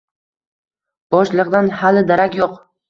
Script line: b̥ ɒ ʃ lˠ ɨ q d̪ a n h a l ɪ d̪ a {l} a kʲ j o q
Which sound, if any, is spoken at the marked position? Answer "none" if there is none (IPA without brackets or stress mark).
ɾ